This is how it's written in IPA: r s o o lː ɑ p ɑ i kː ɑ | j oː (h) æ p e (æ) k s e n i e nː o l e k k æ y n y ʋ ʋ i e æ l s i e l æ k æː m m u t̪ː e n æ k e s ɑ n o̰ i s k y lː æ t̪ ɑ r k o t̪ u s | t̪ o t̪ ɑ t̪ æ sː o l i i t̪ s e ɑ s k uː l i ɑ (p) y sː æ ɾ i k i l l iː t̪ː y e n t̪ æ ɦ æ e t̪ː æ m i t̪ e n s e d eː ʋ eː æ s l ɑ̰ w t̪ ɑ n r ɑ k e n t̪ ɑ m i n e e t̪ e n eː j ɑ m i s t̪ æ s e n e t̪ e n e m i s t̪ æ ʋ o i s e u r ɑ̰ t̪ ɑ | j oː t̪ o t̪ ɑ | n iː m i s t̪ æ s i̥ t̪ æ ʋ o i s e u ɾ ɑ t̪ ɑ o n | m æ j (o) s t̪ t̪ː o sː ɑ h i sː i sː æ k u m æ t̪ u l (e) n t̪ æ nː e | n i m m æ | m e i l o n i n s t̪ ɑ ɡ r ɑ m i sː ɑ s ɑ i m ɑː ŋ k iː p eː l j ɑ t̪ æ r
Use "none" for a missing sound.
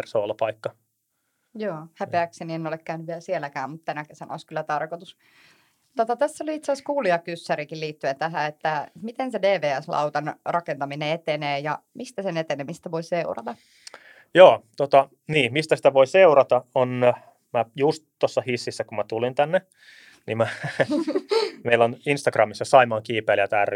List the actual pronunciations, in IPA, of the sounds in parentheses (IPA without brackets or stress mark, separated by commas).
h, æ, k, u, i